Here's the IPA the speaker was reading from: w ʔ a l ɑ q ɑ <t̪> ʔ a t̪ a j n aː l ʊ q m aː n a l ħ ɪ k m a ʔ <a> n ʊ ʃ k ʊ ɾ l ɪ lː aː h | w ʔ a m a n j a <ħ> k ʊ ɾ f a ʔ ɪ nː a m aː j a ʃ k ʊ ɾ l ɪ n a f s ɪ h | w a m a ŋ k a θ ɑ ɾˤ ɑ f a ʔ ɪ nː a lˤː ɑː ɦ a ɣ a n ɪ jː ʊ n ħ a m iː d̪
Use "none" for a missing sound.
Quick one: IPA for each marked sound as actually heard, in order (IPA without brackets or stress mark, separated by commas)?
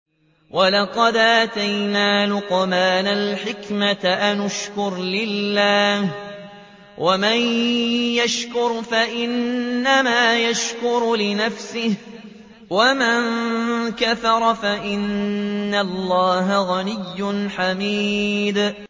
d̪, a, ʃ